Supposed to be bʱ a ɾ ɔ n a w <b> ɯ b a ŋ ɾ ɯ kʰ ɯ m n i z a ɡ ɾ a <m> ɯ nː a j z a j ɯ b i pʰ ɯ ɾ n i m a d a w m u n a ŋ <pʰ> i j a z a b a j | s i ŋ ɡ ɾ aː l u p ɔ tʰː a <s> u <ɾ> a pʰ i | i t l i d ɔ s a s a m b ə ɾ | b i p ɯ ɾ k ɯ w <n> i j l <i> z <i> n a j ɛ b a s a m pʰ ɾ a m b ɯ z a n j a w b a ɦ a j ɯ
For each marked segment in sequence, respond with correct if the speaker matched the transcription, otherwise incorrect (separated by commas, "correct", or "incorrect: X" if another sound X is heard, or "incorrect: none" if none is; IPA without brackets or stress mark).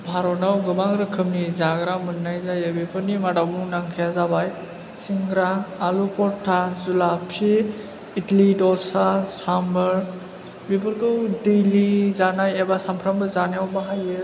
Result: incorrect: ɡ, correct, incorrect: kʰ, incorrect: z, incorrect: l, incorrect: d, correct, incorrect: a